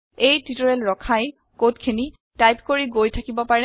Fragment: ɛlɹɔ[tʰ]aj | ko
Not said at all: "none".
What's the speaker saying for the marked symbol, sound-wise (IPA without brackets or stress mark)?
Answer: kʰ